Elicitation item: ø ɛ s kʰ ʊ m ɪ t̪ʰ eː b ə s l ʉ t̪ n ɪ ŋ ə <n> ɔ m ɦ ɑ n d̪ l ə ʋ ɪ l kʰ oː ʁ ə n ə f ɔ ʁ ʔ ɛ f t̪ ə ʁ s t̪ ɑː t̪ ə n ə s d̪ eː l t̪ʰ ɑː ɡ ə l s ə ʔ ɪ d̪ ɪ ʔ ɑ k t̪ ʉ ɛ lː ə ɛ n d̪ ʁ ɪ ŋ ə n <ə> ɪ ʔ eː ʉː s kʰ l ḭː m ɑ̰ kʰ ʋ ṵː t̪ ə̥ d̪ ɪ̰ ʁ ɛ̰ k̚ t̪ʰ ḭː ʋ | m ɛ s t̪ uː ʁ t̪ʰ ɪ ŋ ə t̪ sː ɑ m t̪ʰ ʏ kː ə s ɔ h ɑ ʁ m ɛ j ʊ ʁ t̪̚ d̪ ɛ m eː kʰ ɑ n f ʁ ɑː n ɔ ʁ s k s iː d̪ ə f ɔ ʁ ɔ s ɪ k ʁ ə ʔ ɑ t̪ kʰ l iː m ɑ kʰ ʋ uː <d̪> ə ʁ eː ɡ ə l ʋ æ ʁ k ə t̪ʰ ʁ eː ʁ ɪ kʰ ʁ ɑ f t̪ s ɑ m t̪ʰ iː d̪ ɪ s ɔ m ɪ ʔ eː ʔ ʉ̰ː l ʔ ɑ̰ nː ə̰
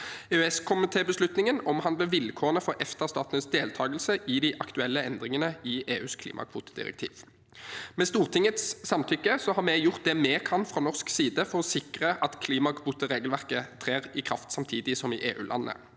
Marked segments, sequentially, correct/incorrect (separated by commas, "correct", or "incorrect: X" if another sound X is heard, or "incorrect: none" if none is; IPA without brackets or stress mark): correct, correct, incorrect: t̪